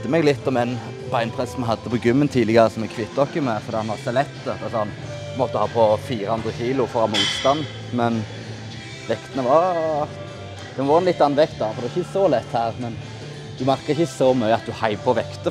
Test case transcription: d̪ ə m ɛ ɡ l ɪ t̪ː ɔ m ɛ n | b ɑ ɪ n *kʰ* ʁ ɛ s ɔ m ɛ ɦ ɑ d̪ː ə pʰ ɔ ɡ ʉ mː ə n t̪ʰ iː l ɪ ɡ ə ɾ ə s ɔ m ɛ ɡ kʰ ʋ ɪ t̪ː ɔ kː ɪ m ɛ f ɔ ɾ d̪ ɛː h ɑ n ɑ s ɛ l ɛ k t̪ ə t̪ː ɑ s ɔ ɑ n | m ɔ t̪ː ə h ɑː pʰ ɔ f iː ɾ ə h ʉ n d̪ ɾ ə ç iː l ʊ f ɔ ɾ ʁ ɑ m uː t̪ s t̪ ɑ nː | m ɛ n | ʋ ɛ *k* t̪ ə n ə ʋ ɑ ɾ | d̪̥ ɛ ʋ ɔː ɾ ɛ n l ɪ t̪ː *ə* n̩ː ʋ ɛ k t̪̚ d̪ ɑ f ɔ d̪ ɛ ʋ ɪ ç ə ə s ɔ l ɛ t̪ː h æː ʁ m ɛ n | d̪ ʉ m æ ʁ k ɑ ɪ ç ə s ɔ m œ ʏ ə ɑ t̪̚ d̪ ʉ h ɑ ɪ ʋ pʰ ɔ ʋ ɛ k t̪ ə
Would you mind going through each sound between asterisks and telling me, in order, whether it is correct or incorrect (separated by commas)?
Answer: incorrect, correct, incorrect